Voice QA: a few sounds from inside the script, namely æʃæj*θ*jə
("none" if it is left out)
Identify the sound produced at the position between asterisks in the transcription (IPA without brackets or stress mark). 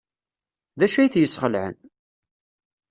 θ